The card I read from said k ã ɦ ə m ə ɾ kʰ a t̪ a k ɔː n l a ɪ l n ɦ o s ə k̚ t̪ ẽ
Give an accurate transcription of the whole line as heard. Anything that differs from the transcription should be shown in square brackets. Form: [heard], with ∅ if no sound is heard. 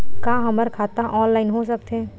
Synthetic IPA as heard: k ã ɦ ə m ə ɾ kʰ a t̪ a [ʔ] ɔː n l a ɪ [∅] n ɦ o s ə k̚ t̪ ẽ